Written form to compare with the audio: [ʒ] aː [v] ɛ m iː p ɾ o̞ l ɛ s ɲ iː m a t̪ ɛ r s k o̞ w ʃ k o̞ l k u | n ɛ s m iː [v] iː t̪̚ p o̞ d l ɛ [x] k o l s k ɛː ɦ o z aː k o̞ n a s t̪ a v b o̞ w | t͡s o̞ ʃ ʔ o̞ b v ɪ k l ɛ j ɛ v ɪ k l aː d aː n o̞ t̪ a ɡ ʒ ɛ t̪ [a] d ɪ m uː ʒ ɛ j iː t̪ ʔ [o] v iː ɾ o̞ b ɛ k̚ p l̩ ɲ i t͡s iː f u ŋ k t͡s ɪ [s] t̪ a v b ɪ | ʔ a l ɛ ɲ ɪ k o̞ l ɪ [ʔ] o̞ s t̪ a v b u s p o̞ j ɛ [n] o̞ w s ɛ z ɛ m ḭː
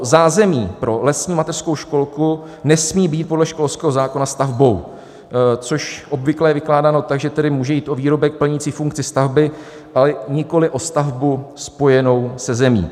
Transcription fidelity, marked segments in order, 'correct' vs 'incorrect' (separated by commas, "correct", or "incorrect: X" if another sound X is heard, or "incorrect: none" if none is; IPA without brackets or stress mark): incorrect: z, incorrect: z, incorrect: b, incorrect: ʃ, incorrect: ɛ, correct, correct, correct, correct